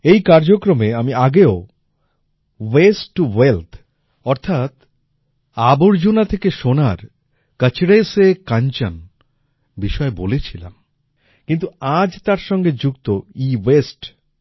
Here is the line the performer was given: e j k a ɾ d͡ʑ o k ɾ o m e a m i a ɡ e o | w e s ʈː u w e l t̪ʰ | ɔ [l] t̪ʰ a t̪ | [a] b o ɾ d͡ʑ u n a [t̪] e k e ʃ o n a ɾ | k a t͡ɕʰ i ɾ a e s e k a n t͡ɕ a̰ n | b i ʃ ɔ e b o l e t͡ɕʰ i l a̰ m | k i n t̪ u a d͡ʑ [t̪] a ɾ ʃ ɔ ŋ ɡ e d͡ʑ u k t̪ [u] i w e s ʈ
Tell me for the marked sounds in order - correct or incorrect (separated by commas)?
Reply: incorrect, correct, incorrect, correct, incorrect